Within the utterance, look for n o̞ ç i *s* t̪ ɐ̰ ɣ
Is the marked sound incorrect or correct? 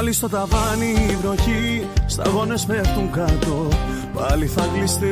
correct